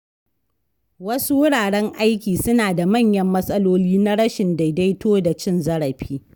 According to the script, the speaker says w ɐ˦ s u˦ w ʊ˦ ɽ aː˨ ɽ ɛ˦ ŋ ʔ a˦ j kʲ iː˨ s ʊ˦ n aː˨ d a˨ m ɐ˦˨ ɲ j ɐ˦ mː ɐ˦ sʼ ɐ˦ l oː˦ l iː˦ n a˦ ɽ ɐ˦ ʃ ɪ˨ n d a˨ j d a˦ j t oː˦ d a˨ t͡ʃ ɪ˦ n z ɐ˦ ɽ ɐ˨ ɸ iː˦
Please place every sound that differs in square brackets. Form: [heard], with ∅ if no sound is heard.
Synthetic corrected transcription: w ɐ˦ s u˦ w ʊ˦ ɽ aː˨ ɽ ɛ˦ ŋ ʔ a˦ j kʲ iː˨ s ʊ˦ n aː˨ d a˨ m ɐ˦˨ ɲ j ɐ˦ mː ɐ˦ sʼ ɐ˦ l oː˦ l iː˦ n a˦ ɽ ɐ˦ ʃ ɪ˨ n d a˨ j d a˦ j t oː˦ d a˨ t͡ʃ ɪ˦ n z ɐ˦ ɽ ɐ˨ ɸ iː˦